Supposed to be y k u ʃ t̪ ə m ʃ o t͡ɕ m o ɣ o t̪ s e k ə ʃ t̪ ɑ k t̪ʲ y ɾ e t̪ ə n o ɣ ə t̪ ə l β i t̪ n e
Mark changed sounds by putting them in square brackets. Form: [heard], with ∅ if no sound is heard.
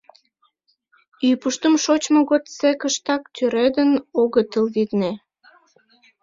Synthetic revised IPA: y [p] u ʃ t̪ ə m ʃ o t͡ɕ m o ɣ o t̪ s e k ə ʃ t̪ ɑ k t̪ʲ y ɾ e [d̪] ə n o ɣ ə t̪ ə l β i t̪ n e

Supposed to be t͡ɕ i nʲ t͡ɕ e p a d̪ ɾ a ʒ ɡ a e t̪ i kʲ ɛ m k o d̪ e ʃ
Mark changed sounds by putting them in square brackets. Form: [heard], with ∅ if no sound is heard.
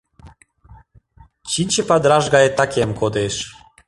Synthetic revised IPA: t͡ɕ i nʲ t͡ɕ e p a d̪ ɾ a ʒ ɡ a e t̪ [a] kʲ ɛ m k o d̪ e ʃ

